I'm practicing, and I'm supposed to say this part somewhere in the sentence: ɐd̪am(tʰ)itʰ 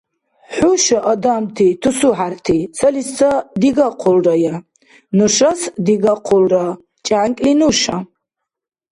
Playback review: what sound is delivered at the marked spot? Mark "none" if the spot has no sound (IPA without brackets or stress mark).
tʰ